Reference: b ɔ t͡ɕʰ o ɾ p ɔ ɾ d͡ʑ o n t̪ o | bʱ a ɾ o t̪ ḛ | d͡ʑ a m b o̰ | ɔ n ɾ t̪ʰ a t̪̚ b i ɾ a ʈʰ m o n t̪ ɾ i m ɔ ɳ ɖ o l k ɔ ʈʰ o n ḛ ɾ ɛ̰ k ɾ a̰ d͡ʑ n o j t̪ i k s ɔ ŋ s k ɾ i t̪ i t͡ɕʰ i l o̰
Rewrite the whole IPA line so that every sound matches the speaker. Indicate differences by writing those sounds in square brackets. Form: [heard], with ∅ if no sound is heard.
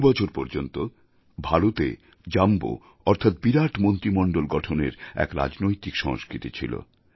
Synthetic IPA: b ɔ t͡ɕʰ o ɾ p ɔ ɾ d͡ʑ o n t̪ o | bʱ a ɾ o t̪ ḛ | d͡ʑ a m b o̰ | ɔ [∅] ɾ t̪ʰ a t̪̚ b i ɾ a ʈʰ m o n t̪ ɾ i m ɔ ɳ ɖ o l [ɡ] ɔ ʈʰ o n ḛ ɾ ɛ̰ k ɾ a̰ d͡ʑ n o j t̪ i k [ʃ] ɔ ŋ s k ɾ i t̪ i t͡ɕʰ i l o̰